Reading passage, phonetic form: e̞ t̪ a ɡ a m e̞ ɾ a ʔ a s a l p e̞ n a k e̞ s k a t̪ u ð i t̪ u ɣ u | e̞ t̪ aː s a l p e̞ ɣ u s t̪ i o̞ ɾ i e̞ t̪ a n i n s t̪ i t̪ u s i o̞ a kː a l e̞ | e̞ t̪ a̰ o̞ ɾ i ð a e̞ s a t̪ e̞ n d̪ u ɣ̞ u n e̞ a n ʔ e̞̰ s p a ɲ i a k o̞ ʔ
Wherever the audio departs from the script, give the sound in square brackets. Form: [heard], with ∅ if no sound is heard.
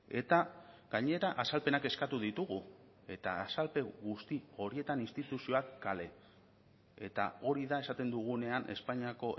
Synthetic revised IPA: e̞ t̪ a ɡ a [ɲ] e̞ ɾ a ʔ a s a l p e̞ n a k e̞ s k a t̪ u ð i t̪ u ɣ u | e̞ t̪ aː s a l p e̞ ɣ u s t̪ i o̞ ɾ i e̞ t̪ a n i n s t̪ i t̪ u s i o̞ a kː a l e̞ | e̞ t̪ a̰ o̞ ɾ i ð a e̞ s a t̪ e̞ n d̪ u ɣ̞ u n e̞ a n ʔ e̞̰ s p a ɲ i a k o̞ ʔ